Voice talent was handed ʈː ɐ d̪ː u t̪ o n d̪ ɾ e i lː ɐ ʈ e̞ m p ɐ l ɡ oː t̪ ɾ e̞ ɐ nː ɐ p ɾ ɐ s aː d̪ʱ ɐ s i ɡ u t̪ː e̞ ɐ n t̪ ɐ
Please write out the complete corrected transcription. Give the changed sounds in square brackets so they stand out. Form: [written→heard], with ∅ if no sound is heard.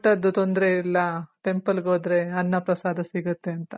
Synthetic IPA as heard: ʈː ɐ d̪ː u t̪ o n d̪ ɾ e i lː ɐ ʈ e̞ m p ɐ l ɡ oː [t̪→d̪] ɾ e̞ ɐ nː ɐ p ɾ ɐ s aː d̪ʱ ɐ s i ɡ u t̪ː e̞ ɐ n t̪ ɐ